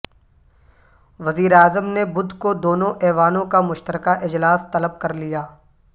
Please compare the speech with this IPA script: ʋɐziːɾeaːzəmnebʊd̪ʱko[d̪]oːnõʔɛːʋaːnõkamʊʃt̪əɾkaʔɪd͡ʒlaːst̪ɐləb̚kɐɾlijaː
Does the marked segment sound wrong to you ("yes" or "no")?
no